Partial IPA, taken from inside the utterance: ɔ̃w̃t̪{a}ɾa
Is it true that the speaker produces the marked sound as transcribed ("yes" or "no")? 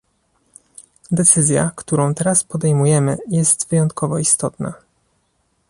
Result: no